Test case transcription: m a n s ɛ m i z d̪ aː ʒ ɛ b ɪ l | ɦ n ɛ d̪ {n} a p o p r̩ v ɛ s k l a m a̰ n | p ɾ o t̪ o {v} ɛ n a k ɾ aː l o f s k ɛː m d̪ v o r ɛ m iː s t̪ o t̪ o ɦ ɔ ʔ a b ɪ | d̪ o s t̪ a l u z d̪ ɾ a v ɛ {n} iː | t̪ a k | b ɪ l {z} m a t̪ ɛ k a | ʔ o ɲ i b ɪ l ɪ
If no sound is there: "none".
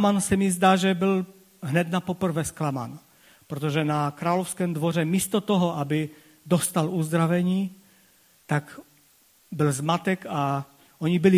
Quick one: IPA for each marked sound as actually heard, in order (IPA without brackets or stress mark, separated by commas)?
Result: n, ʒ, ɲ, z